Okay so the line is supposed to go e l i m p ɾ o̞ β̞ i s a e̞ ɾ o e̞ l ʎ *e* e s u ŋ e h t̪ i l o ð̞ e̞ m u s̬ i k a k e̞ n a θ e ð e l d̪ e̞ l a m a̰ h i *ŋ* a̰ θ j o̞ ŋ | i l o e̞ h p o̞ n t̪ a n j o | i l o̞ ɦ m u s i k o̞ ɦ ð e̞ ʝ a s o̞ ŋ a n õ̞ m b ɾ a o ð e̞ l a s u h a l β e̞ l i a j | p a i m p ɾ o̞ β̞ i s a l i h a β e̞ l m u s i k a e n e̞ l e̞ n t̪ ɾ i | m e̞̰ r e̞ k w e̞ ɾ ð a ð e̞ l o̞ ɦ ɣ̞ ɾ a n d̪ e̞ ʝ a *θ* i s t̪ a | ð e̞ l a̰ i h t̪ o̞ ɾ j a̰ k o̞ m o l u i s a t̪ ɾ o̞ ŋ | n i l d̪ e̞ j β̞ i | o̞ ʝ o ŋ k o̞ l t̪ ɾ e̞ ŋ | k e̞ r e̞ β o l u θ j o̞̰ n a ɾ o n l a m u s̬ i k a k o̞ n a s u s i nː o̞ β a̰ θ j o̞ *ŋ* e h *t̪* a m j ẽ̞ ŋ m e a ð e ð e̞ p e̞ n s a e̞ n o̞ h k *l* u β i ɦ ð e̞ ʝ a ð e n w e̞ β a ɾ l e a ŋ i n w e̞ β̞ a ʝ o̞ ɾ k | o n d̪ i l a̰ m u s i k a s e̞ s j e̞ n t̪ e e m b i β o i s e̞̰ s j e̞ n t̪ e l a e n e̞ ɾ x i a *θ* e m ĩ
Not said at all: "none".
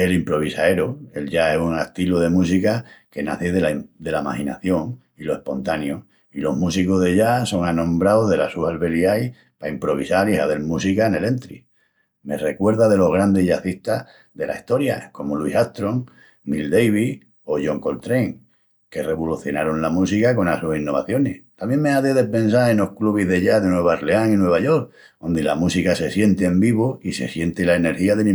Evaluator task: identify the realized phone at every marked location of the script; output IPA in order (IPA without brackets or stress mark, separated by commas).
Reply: a, n, θ, n, t̪, l, ð